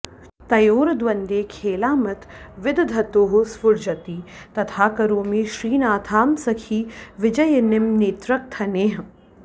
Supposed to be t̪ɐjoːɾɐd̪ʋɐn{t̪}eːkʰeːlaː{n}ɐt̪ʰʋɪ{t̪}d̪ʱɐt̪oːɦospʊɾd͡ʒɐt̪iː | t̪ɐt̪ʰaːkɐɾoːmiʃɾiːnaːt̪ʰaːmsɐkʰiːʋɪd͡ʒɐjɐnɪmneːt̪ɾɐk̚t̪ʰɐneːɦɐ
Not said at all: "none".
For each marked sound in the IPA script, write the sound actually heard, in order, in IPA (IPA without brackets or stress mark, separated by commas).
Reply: d̪, m, d̪